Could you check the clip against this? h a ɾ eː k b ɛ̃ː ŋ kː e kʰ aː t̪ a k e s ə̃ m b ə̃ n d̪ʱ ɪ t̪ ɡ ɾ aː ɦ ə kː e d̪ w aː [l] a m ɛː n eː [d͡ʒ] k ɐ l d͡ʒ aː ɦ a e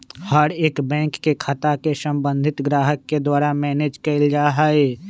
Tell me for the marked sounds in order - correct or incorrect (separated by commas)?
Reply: incorrect, correct